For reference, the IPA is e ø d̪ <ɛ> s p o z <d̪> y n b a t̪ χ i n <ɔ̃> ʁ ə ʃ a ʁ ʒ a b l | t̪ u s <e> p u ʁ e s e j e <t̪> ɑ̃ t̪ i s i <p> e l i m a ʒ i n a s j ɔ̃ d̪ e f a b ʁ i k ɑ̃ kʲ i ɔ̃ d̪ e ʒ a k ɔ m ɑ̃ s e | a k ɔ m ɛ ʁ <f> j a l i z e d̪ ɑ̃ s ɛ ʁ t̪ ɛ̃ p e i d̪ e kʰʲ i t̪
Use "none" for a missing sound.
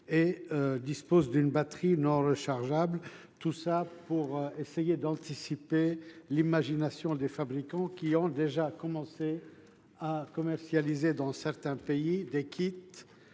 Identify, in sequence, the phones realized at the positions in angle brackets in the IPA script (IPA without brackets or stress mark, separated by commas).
i, d̪, ɔ̃, a, d̪, p, s